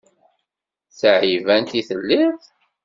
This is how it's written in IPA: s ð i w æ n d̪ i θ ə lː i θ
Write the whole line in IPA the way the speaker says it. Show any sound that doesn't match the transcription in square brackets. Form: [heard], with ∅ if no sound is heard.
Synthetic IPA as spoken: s [ʕ] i [v] æ n [t̪] i θ ə lː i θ

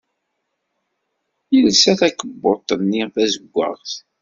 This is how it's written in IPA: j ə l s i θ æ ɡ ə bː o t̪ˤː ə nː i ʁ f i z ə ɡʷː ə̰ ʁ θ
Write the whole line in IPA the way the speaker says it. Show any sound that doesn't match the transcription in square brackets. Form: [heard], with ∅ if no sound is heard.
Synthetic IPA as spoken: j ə l s [æ] θ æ [k] ə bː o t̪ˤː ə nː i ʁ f [æ] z ə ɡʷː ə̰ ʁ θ

